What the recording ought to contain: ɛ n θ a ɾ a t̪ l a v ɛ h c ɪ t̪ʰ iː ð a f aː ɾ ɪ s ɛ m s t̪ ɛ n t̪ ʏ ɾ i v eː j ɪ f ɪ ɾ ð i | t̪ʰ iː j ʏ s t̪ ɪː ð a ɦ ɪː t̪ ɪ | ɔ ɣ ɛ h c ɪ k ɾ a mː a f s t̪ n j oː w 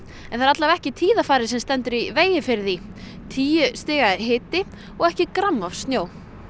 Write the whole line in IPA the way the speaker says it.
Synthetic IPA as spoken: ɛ n θ a ɾ a t̪ l a v ɛ h c ɪ t̪ʰ iː ð a f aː ɾ ɪ s ɛ m s t̪ ɛ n t̪ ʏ ɾ i v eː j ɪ f ɪ ɾ ð i | t̪ʰ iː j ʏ s t̪ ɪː ɣ a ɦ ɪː t̪ ɪ | ɔ ɣ ɛ h c ɪ k ɾ a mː a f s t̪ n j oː w